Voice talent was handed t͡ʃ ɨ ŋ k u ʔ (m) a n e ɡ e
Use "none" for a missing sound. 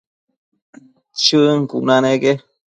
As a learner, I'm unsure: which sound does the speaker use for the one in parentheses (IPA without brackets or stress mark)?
n